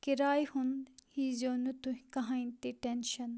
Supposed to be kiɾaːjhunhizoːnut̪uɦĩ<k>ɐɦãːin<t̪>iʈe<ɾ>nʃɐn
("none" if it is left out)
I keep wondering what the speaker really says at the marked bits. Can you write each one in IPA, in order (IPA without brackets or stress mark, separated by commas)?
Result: k, t̪, none